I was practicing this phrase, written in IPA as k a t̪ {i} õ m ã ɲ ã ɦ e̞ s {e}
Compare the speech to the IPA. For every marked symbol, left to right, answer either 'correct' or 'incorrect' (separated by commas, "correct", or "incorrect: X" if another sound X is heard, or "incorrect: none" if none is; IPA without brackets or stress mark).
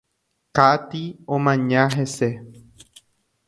correct, correct